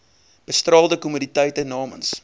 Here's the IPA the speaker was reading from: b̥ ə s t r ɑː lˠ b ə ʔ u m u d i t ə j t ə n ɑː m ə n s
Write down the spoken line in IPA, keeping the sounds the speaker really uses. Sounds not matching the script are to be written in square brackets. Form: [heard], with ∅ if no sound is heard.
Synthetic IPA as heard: b̥ ə s t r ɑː lˠ [d] ə [k] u m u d i t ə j t ə n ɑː m ə n s

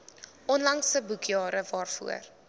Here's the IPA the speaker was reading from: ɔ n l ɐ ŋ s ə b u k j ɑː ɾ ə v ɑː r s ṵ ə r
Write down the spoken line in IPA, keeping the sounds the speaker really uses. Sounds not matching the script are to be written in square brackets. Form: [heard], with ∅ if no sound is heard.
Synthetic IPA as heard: ɔ n l ɐ ŋ s ə b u k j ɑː ɾ ə v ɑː r [f] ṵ ə r

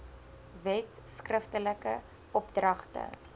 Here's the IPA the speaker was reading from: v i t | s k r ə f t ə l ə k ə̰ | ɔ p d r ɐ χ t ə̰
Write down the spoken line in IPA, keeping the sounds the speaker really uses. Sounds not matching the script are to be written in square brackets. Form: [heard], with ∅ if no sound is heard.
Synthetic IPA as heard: v [ɛ] t | s k r ə f t ə l ə k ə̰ | ɔ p d r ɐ χ t ə̰

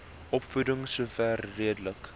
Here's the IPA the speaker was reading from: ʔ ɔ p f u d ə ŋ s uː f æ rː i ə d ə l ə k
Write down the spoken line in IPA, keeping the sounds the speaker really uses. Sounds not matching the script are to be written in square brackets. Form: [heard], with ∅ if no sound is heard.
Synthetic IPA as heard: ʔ ɔ p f u d ə ŋ s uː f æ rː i ə d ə l ə k

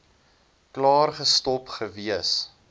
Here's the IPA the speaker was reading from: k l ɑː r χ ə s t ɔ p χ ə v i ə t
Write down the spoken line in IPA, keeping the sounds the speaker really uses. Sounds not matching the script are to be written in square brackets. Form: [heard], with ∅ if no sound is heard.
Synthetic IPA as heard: k l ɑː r χ ə s t ɔ p χ ə v i ə [s]

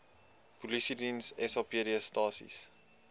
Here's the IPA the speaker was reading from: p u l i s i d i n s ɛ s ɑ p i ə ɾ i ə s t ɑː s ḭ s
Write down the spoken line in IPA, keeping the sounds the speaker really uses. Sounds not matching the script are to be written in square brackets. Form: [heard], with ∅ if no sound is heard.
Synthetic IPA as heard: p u l i s i d i n s ɛ s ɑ p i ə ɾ i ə s t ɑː s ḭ s

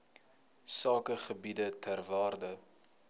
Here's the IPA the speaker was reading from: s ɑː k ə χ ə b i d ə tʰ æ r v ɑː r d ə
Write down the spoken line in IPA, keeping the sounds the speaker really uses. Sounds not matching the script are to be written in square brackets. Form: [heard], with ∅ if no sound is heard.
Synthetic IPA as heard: s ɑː k ə χ ə b i d ə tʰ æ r v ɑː r d ə

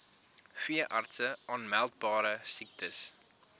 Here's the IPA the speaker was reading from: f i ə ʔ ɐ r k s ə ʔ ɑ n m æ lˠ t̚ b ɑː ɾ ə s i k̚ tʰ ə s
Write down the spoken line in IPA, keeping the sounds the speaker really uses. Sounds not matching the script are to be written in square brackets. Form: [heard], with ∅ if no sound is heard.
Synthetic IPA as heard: f i ə ʔ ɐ r [t] s ə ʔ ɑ n m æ lˠ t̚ b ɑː ɾ ə s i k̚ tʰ ə s

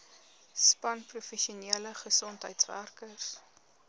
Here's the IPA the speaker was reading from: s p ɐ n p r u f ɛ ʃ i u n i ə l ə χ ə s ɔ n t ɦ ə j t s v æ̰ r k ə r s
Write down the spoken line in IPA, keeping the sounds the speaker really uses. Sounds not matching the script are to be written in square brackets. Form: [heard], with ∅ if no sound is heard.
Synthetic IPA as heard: s p ɐ n p r u f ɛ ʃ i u n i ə l ə χ ə s ɔ n t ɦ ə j t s v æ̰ r k ə r s

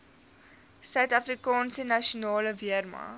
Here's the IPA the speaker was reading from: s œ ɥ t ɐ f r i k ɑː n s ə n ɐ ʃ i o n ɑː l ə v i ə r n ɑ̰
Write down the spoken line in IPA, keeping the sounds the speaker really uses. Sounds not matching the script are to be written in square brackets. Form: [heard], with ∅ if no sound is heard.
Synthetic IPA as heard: s œ ɥ t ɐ f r i k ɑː n s ə n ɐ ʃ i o n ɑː l ə v i ə r [m] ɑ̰

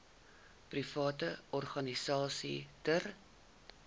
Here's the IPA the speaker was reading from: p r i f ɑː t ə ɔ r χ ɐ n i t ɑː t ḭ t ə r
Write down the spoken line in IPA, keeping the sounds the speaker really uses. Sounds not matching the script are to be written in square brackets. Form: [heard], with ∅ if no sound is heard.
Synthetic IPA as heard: p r i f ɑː t ə ɔ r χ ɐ n i [s] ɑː [s] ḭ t ə r

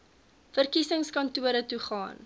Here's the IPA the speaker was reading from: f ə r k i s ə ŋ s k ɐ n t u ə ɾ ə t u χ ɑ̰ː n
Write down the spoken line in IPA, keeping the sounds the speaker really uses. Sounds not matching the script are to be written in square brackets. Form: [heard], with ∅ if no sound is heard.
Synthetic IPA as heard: f ə r k i s ə ŋ s k ɐ n t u ə ɾ ə t u χ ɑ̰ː n

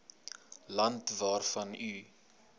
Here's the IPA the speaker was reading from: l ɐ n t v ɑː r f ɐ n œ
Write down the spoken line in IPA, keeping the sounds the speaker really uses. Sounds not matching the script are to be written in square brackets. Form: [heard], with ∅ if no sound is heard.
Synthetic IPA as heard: l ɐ n t v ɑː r f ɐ n [y]

